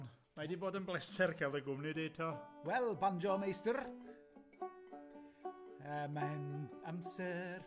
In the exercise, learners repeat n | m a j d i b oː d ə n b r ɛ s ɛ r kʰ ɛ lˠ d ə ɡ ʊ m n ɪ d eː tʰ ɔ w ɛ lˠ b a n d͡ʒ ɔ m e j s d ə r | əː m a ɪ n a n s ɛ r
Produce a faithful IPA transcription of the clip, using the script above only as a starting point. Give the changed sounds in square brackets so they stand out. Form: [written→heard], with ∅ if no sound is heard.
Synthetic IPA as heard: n | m a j d i b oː d ə n b [r→l] ɛ s ɛ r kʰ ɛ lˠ d ə ɡ ʊ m n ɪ d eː tʰ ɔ w ɛ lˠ b a n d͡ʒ ɔ m e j s [d→t] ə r | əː m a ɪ n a [n→m] s ɛ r